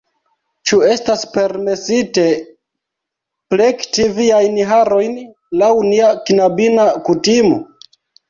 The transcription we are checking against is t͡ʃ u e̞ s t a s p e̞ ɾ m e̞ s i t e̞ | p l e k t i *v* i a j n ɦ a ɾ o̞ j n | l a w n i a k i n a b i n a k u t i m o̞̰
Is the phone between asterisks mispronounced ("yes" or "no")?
no